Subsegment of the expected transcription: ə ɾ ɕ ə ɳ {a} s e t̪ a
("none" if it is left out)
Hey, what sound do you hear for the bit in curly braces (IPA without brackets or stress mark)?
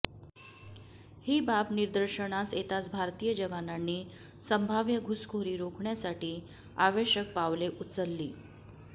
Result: a